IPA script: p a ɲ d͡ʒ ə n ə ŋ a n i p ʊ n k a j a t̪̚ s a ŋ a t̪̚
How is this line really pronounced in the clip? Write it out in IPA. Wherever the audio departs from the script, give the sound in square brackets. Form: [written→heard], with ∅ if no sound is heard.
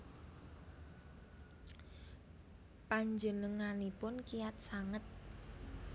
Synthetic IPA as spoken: p a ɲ d͡ʒ ə n ə ŋ a n i p ʊ n k [a→i] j a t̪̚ s a ŋ [a→ə] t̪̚

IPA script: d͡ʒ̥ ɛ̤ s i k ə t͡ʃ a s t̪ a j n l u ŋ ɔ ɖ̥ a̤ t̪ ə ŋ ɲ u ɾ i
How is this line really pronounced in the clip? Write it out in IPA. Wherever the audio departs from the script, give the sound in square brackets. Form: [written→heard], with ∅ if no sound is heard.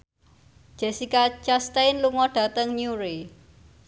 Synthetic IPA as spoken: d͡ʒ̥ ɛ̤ s i k [ə→a] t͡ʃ a s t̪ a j n l u ŋ ɔ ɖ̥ a̤ t̪ ə ŋ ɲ u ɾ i

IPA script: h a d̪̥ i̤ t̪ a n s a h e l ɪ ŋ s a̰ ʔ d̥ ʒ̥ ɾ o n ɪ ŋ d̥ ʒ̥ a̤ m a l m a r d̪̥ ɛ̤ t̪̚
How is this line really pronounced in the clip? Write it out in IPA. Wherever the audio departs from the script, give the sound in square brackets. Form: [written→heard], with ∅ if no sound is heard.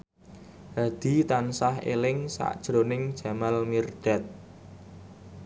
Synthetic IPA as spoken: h a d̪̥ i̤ t̪ a n s a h e l ɪ ŋ s a̰ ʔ d̥ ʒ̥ ɾ o n ɪ ŋ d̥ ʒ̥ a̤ m a l m [a→i] r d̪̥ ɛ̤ t̪̚

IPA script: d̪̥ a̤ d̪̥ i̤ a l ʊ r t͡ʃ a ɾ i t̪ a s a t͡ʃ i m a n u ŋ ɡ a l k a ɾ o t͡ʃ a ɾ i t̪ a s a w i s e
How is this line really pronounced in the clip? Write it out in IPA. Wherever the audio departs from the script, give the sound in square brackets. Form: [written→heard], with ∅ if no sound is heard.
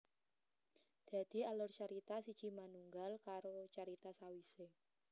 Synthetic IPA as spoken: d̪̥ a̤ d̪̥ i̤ a l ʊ r t͡ʃ a ɾ i t̪ a s [a→i] t͡ʃ i m a n u ŋ ɡ a l k a ɾ o t͡ʃ a ɾ i t̪ a s a w i s e

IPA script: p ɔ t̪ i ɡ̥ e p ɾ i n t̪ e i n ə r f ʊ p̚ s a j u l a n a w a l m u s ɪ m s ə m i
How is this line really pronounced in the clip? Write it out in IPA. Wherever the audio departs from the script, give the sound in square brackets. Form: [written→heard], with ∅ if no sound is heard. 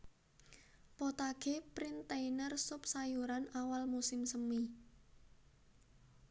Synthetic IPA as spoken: p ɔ t̪ [i→a] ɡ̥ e p ɾ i n t̪ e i n ə r [f→s] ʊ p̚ s a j u [l→ɾ] a n a w a l m u s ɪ m s ə m i

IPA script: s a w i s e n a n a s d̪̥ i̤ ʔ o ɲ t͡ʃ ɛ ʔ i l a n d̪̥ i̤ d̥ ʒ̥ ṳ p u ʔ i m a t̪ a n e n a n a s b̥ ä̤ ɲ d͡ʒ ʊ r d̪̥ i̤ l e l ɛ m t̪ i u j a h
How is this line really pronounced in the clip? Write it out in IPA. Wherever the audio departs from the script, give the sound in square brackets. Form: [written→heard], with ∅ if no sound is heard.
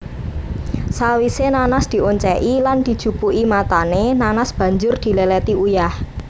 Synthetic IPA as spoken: s a w i s e n a n a s d̪̥ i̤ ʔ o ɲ t͡ʃ ɛ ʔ i l a n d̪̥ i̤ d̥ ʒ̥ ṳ p u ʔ i m a t̪ a n e n a n a s b̥ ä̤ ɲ d͡ʒ ʊ r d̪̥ i̤ l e l ɛ [m→∅] t̪ i u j a h

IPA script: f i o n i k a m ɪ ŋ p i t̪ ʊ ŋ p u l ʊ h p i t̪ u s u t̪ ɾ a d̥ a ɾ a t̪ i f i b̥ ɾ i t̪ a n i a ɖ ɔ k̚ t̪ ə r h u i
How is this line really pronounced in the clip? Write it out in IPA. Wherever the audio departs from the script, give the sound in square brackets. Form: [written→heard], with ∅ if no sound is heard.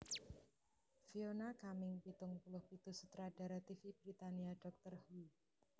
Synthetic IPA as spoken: f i o n [i→a] k a m ɪ ŋ p i t̪ ʊ ŋ p u l ʊ h p i t̪ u s u t̪ ɾ a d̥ a ɾ a t̪ i f i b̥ ɾ i t̪ a n i a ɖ ɔ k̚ t̪ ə r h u i

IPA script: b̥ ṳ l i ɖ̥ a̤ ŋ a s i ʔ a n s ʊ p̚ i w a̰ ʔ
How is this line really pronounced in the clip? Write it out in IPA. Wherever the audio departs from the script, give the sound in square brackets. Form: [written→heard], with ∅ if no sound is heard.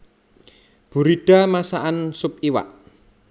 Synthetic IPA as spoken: b̥ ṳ [l→ɾ] i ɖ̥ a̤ [ŋ→m] a s [i→a] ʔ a n s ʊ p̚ i w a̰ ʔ

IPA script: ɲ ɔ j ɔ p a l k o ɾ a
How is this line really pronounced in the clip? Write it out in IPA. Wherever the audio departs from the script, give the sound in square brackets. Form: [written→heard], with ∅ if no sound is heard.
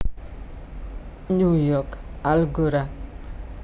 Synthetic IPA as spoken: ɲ [ɔ→u] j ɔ [p→k] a l [k→ɡ] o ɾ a

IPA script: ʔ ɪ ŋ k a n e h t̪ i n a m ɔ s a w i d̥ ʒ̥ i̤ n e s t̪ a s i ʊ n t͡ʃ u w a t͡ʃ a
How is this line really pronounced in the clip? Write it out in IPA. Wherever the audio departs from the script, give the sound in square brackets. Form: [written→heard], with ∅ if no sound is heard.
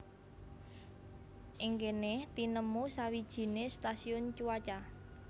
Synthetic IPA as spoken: ʔ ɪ ŋ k [a→e] n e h t̪ i n [a→ə] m [ɔ→u] s a w i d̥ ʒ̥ i̤ n e s t̪ a s i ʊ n t͡ʃ u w a t͡ʃ a

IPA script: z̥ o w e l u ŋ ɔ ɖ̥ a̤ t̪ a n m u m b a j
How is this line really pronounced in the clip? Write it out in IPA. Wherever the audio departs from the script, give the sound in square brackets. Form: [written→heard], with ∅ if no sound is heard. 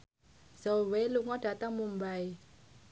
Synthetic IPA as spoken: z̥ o w e l u ŋ ɔ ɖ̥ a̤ t̪ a [n→ŋ] m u m b a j

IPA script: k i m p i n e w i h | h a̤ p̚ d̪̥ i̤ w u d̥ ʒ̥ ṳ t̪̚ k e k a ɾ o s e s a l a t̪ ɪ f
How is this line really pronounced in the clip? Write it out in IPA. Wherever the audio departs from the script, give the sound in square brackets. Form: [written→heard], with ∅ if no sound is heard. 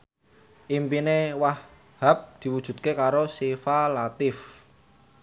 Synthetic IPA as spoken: [k→ʔ] i m p i n e w [i→a] h | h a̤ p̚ d̪̥ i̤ w u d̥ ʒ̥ ṳ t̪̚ k e k a ɾ o s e [s→f] a l a t̪ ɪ f

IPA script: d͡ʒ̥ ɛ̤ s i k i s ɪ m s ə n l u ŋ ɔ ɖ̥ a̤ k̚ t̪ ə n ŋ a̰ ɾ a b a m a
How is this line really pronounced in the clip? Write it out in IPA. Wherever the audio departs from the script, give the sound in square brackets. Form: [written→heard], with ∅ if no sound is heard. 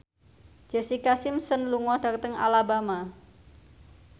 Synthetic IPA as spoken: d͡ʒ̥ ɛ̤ s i k [i→a] s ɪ m s ə n l u ŋ ɔ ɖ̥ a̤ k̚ t̪ ə [n→∅] ŋ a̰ [ɾ→l] a b a m a

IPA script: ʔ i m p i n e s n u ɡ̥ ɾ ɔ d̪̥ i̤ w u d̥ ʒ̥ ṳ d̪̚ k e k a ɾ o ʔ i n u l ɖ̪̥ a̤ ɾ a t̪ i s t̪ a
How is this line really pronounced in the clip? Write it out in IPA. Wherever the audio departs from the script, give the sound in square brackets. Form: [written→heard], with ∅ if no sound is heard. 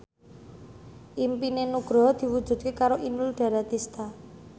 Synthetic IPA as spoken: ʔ i m p i n e [s→∅] n u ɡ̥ ɾ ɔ d̪̥ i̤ w u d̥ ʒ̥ ṳ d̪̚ k e k a ɾ o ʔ i n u l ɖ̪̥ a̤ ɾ a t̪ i s t̪ a

